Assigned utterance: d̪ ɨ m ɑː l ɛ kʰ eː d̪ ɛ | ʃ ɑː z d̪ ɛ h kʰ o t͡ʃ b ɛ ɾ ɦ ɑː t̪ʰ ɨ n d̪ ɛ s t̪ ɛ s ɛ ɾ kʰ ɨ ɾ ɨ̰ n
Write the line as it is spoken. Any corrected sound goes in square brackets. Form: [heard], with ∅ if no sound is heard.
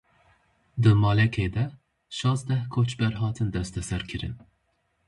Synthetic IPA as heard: d̪ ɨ m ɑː l ɛ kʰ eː d̪ ɛ | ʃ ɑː z d̪ ɛ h kʰ o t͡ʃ b ɛ ɾ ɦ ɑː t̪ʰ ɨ n d̪ ɛ s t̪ ɛ s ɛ ɾ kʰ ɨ ɾ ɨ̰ n